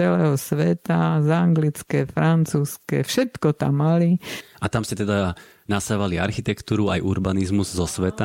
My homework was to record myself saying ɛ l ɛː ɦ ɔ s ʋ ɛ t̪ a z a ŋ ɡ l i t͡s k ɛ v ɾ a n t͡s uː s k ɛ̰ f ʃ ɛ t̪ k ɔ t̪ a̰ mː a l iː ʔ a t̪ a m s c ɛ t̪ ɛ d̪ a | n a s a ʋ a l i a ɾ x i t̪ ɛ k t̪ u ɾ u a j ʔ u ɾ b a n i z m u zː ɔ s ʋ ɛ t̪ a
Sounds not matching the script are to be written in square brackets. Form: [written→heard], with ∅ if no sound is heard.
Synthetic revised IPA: ɛ l ɛː ɦ ɔ s ʋ ɛ t̪ a z a ŋ ɡ l i t͡s k ɛ [v→f] ɾ a n t͡s uː s k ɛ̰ f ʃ ɛ t̪ k ɔ t̪ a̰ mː a l [iː→i] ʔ a t̪ a m s c ɛ t̪ ɛ d̪ a | n a s a ʋ a l i a ɾ x i t̪ ɛ k t̪ [u→uː] ɾ u a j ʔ u ɾ b a n i z m u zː ɔ s ʋ ɛ t̪ a